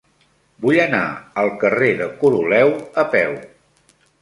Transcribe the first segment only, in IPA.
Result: b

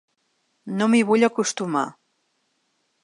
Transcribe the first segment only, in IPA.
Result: n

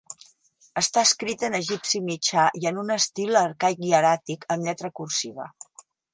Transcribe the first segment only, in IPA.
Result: ə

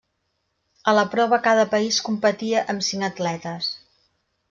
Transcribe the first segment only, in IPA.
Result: ə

